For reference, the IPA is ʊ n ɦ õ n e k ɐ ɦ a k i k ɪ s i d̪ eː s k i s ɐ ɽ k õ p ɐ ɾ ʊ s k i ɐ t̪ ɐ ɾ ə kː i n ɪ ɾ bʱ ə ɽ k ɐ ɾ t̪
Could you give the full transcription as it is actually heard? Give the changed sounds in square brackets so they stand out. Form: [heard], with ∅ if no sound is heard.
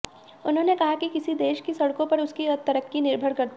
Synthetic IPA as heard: ʊ n ɦ õ n e k ɐ ɦ a k i k ɪ s i d̪ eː [ʃ] k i s ɐ ɽ k õ p ɐ ɾ ʊ s k i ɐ t̪ ɐ ɾ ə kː i n ɪ ɾ bʱ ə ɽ k ɐ ɾ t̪